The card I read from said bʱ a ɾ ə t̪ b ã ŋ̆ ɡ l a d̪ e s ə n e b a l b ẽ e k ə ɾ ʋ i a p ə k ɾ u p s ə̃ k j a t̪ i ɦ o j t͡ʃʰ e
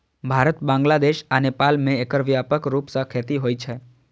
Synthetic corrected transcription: bʱ a ɾ ə t̪ b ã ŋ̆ ɡ l a d̪ e ʃ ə n e p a l m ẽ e k ə ɾ ʋ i a p ə k ɾ u p s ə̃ kʰ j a t̪ i ɦ o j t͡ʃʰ e